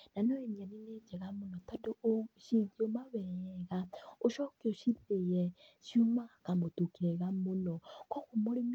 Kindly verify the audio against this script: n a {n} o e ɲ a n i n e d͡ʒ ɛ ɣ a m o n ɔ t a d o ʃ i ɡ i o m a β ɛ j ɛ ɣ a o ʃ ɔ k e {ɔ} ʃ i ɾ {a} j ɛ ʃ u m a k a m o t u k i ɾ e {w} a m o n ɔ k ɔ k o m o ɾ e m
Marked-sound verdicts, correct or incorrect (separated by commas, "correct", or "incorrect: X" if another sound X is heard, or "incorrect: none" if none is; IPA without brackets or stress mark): correct, incorrect: o, incorrect: e, incorrect: ɣ